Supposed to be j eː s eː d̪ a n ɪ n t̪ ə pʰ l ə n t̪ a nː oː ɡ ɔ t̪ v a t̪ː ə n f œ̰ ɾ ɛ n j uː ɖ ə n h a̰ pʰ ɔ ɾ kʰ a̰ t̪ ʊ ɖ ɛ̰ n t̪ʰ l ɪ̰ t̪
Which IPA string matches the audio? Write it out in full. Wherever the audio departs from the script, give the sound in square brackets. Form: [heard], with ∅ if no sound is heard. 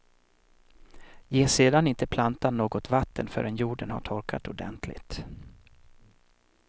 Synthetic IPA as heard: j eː s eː d̪ a n ɪ n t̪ ə pʰ l [a] n t̪ a nː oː ɡ ɔ t̪ v a t̪ː ə n f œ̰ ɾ ɛ n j uː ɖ ə n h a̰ [ʈʰ] ɔ ɾ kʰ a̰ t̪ ʊ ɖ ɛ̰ n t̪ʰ l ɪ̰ t̪